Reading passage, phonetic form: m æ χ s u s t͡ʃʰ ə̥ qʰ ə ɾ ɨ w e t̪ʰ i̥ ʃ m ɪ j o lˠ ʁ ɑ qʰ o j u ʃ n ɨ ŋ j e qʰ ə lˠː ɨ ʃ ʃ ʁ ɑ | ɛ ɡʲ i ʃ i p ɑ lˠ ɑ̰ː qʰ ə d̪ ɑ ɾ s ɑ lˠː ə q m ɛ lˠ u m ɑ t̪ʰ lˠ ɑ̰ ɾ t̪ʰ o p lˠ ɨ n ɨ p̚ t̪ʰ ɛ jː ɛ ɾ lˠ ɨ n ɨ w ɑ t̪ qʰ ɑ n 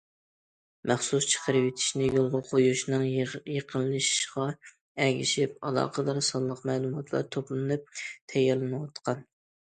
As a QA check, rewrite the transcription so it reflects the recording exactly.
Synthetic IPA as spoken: m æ χ s u s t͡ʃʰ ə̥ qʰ ə ɾ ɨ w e t̪ʰ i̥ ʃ n ɪ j o lˠ ʁ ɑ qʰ o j u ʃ n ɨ ŋ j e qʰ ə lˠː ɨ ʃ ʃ ʁ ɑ | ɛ ɡʲ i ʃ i p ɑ lˠ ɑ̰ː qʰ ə d̪ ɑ ɾ s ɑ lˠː ə q m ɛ lˠ u m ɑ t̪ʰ lˠ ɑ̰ ɾ t̪ʰ o p lˠ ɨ n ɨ p̚ t̪ʰ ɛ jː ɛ ɾ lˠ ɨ n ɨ w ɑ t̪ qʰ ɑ n